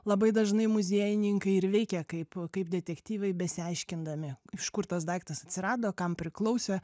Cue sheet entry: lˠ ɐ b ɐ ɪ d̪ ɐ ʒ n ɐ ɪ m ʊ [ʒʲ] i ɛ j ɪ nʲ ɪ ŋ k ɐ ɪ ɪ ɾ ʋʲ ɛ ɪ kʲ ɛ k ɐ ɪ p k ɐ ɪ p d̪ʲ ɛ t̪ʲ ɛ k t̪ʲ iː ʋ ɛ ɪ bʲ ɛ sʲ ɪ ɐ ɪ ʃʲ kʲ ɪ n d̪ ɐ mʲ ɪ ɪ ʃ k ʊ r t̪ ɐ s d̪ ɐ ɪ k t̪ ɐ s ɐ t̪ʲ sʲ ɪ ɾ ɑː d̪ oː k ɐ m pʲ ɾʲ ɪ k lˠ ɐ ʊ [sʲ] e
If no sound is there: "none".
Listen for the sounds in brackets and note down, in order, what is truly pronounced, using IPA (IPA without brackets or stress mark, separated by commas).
zʲ, sʲ